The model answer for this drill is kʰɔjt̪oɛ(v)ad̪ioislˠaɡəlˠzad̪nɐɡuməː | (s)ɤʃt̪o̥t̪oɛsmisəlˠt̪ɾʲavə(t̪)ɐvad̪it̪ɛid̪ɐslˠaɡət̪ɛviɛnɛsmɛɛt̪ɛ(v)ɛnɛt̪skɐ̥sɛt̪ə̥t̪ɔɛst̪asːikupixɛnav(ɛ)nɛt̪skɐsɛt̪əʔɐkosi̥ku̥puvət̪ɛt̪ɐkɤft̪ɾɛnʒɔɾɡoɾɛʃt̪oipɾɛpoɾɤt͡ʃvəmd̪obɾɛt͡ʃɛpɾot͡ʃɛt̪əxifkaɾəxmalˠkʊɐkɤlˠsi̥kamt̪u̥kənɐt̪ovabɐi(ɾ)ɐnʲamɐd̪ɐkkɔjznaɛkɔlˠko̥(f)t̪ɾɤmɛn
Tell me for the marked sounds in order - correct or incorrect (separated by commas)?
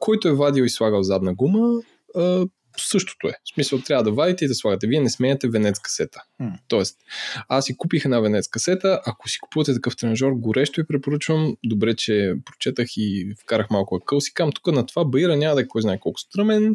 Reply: correct, correct, incorrect, correct, correct, correct, incorrect